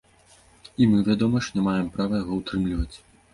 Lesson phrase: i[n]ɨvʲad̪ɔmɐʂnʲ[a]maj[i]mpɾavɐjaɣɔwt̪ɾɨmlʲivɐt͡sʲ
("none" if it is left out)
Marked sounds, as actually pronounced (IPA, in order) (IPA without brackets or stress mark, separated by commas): m, ɛ, ɛ